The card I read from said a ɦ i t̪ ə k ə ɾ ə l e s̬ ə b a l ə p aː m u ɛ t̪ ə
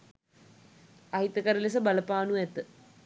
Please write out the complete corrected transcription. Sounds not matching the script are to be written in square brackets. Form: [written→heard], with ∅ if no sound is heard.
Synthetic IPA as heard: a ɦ i t̪ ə k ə ɾ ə l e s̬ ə b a l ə p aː [m→n] u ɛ t̪ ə